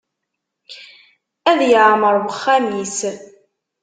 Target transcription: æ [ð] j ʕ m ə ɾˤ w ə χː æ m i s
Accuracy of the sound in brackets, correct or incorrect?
correct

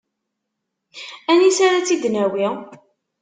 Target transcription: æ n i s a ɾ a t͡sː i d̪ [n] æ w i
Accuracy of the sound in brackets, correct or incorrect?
correct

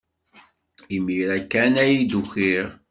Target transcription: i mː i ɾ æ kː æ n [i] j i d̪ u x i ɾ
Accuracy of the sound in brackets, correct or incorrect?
incorrect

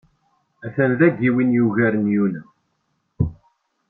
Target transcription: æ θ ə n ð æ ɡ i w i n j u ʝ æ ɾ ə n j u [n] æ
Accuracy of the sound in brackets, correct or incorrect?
correct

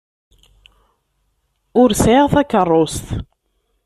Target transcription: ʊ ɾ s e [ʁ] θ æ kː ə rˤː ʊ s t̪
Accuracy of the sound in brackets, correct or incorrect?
correct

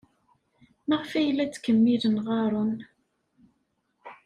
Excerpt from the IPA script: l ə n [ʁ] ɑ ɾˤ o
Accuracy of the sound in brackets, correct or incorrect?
correct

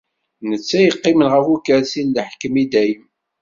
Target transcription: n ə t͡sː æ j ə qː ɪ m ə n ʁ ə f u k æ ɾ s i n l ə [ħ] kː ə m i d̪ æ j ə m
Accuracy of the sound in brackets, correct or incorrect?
correct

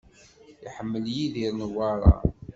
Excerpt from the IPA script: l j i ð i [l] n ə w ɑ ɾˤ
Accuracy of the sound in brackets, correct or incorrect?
incorrect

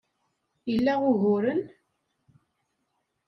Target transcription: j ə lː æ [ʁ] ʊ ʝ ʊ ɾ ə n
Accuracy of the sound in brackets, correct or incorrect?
correct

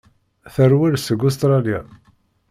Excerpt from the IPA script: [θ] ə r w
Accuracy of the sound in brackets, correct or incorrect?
correct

